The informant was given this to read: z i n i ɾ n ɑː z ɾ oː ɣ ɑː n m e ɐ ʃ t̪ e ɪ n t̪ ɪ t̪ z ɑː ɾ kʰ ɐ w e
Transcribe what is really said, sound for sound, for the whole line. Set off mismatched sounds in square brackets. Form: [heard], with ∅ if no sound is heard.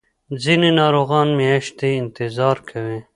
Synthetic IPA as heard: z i n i [∅] n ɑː [∅] ɾ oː ɣ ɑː n m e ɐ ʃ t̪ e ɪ n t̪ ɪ [∅] z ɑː ɾ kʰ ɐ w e